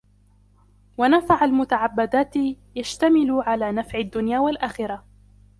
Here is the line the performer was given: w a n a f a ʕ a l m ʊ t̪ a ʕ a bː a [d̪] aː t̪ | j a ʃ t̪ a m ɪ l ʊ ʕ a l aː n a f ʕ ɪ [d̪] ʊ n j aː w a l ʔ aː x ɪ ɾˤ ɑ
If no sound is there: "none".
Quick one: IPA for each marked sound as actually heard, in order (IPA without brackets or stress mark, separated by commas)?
d̪, d̪ː